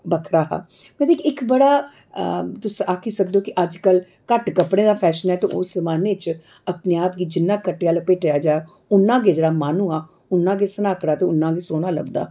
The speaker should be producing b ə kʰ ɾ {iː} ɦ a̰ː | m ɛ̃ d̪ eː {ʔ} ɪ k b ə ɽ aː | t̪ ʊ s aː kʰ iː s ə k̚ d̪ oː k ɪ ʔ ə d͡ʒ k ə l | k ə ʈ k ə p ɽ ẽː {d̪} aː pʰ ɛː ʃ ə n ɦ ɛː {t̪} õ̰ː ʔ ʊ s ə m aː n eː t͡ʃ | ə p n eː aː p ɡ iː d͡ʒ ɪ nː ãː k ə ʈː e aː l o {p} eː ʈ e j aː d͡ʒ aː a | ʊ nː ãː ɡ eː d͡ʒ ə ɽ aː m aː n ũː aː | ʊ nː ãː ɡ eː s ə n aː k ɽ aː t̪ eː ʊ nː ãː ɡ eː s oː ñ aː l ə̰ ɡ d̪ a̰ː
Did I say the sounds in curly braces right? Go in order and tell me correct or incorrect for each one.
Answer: incorrect: aː, incorrect: k, correct, correct, correct

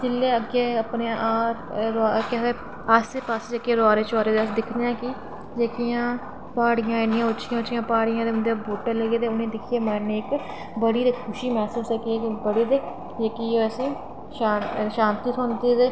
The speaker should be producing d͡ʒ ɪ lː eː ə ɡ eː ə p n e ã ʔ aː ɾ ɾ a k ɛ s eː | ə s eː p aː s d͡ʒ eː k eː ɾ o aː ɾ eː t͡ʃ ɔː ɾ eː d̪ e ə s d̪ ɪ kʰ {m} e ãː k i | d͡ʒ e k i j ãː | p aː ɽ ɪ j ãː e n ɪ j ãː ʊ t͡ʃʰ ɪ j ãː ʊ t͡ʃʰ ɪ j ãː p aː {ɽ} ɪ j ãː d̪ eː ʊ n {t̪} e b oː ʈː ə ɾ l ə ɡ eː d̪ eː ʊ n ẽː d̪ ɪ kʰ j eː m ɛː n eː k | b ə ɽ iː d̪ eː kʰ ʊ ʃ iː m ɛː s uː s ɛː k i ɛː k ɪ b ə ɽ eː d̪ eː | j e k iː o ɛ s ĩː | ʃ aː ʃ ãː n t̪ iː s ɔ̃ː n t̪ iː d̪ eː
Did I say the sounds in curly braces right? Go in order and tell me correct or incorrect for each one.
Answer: incorrect: n, correct, incorrect: d̪

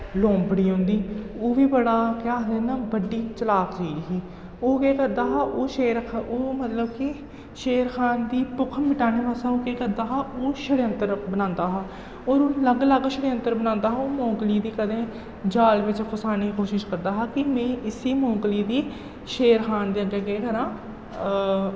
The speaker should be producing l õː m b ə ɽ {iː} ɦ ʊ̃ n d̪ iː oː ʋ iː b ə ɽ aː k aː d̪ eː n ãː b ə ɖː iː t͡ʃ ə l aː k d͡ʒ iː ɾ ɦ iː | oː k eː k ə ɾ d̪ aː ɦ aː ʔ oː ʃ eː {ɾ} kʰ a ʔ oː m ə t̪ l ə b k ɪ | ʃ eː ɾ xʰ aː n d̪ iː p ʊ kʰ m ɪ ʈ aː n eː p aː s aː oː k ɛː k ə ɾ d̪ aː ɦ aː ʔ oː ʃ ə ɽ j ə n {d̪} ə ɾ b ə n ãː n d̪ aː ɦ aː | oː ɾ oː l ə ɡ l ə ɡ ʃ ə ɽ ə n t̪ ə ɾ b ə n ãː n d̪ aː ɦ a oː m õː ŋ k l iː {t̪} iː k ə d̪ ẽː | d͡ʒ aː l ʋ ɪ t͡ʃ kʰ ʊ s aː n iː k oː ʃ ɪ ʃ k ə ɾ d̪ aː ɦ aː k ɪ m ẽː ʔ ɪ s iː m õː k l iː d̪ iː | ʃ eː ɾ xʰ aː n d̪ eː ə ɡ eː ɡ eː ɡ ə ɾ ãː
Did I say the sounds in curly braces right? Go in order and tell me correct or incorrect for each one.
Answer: correct, correct, incorrect: t̪, incorrect: d̪

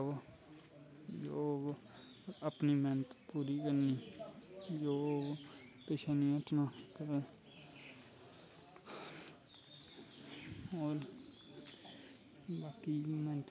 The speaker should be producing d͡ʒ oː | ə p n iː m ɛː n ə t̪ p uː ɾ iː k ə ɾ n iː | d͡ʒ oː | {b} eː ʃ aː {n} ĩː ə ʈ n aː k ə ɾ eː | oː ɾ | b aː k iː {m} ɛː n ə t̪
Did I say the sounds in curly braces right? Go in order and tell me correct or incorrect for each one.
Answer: incorrect: p, correct, correct

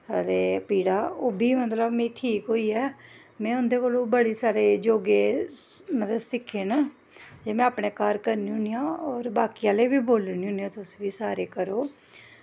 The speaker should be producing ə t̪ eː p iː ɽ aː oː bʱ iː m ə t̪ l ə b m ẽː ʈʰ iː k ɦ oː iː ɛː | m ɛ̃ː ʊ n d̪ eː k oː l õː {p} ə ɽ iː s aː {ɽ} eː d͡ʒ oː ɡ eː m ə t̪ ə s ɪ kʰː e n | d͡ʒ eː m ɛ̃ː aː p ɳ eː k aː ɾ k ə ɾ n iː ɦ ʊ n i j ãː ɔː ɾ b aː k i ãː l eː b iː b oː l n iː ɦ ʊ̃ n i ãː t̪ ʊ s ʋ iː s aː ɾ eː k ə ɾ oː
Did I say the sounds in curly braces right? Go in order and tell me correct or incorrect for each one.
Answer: incorrect: b, incorrect: ɾ

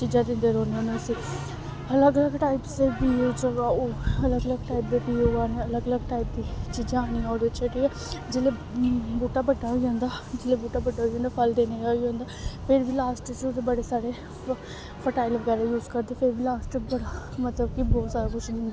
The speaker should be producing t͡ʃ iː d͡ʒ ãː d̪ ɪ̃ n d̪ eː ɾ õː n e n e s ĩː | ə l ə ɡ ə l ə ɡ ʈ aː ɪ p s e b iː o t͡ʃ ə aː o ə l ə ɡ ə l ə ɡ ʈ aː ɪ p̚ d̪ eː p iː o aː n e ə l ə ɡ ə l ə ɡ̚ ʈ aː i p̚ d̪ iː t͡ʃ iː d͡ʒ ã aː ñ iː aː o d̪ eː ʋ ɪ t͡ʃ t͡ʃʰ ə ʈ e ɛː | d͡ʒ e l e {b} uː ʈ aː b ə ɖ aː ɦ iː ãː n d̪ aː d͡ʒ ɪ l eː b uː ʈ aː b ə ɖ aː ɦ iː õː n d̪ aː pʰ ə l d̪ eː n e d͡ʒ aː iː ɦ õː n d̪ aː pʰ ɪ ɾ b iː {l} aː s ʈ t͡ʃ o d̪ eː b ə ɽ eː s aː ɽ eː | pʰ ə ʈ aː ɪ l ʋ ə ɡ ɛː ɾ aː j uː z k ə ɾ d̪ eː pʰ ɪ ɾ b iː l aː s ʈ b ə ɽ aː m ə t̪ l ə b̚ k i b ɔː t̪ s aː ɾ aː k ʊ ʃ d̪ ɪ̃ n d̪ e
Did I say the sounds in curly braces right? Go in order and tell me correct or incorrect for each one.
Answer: correct, correct

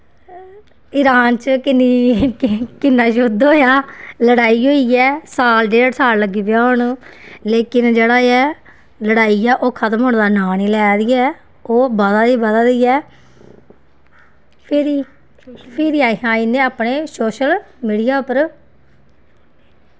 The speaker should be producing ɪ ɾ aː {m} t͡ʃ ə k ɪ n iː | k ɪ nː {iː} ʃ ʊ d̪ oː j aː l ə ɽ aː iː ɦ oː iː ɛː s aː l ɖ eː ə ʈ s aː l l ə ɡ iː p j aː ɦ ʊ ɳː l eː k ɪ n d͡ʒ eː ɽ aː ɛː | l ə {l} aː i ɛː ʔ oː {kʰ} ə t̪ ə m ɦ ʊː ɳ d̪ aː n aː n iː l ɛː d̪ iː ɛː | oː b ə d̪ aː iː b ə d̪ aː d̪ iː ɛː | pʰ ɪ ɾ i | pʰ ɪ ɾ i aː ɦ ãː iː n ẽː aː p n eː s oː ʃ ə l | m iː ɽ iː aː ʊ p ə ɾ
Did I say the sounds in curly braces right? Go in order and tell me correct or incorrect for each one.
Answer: incorrect: n, incorrect: aː, incorrect: ɽ, correct

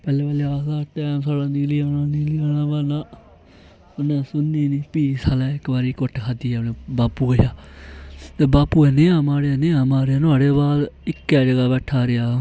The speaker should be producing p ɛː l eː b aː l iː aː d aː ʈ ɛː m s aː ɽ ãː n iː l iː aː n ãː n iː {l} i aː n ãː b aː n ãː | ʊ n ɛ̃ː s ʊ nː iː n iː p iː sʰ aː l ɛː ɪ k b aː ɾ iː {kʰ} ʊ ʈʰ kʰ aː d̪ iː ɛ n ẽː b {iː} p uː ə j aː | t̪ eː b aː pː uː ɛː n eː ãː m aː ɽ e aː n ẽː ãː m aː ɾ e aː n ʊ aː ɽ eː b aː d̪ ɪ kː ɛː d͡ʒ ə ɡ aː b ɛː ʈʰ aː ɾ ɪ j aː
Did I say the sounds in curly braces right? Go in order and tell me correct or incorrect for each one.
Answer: correct, incorrect: k, incorrect: aː

